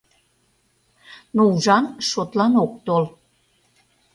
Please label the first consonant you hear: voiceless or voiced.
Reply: voiced